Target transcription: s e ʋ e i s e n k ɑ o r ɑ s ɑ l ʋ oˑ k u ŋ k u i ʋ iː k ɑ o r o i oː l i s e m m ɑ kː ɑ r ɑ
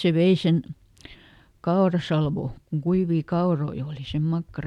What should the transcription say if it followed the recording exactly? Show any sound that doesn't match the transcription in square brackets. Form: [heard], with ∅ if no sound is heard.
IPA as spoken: s e ʋ e i s e n k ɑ o r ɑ s ɑ l ʋ oˑ k u ŋ k u i ʋ iː k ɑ o r o i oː l i s e m m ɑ kː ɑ r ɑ